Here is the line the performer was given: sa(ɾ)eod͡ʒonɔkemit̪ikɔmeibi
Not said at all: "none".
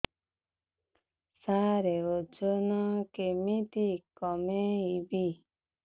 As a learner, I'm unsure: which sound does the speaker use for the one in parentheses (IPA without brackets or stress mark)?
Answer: ɾ